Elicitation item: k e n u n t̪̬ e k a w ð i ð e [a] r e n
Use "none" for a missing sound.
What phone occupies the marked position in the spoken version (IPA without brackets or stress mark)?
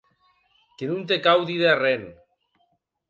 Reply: a